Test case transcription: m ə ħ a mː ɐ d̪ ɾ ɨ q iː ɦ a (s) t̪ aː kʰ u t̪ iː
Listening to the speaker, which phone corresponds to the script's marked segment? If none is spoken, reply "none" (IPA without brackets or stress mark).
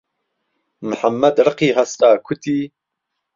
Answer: s